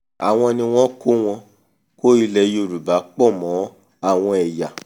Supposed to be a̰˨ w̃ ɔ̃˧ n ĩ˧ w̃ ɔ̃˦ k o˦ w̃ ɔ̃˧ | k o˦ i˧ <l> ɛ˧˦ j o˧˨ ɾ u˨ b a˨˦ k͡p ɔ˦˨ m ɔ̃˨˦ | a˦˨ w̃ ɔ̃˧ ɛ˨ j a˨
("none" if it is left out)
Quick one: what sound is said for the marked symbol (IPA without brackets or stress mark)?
l